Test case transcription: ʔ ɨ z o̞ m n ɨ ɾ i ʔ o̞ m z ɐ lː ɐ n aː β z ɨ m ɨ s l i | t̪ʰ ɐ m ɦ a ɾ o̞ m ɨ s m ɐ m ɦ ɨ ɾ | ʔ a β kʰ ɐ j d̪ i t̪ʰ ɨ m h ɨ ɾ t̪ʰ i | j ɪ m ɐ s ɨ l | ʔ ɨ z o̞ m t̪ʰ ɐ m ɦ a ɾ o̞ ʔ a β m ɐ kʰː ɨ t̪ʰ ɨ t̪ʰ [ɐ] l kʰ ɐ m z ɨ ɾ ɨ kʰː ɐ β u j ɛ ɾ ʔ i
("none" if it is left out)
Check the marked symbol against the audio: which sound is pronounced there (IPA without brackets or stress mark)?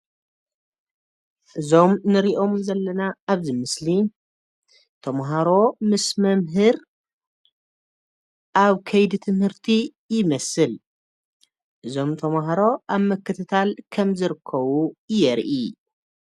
a